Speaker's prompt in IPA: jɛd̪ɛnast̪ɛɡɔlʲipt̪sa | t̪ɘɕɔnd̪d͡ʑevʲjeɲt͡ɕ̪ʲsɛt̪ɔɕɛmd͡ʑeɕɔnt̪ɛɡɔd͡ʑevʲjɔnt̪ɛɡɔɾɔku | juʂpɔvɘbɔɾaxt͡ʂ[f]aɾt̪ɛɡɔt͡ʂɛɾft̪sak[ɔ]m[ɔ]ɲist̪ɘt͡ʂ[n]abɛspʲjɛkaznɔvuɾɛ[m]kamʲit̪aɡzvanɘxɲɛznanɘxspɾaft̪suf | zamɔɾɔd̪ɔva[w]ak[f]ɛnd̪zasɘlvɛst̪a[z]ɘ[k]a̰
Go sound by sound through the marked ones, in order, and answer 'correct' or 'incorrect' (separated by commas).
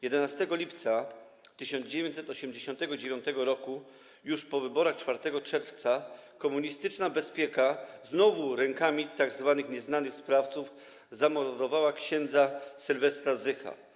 correct, correct, incorrect, correct, incorrect, correct, incorrect, correct, incorrect